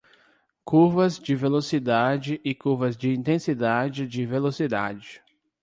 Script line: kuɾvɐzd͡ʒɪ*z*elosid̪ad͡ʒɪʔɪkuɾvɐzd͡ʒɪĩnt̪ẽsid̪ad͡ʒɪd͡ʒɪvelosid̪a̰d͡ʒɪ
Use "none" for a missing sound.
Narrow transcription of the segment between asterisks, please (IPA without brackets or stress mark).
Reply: v